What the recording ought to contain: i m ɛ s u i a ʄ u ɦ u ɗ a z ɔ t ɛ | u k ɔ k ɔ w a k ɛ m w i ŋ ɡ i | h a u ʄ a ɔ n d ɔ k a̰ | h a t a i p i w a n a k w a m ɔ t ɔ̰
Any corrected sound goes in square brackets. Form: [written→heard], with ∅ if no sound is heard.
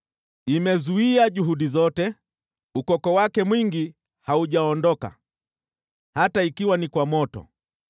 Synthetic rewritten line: i m ɛ [s→z] u i a ʄ u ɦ u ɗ [a→i] z ɔ t ɛ | u k ɔ k ɔ w a k ɛ m w i ŋ ɡ i | h a u ʄ a ɔ n d ɔ k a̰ | h a t a i [p→k] i w a n [a→i] k w a m ɔ t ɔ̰